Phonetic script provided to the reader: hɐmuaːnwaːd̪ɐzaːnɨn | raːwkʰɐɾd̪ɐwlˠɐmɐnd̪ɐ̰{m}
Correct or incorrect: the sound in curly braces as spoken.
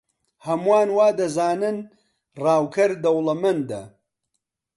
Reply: incorrect: none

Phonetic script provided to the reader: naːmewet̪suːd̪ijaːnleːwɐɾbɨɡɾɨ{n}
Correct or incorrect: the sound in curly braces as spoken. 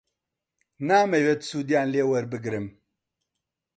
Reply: incorrect: m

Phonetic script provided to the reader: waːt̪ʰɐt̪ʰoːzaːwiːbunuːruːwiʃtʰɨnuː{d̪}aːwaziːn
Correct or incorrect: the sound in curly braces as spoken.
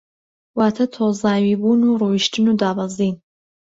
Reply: correct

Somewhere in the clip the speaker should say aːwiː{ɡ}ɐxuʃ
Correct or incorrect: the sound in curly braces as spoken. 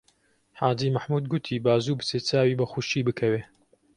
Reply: incorrect: b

